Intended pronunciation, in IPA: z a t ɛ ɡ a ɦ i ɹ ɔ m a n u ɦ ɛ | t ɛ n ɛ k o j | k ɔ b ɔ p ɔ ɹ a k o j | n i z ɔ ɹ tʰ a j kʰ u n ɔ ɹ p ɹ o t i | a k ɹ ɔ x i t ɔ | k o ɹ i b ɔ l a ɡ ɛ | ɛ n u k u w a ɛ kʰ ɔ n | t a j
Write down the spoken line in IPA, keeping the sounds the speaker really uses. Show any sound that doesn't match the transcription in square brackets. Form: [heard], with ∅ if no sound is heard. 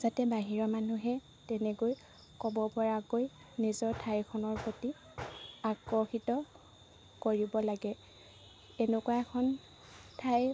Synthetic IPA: z a t ɛ [b] a ɦ i ɹ ɔ m a n u ɦ ɛ | t ɛ n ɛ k o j | k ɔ b ɔ p ɔ ɹ a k o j | n i z ɔ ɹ tʰ a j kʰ [ɔ] n ɔ ɹ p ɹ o t i | a k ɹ ɔ x i t ɔ | k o ɹ i b ɔ l a ɡ ɛ | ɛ n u k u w a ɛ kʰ ɔ n | [tʰ] a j